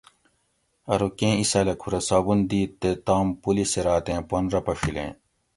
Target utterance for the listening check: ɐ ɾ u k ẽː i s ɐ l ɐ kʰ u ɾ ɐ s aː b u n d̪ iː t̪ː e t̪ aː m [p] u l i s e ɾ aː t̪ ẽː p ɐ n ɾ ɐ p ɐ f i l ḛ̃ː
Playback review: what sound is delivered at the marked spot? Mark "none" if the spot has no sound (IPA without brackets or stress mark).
p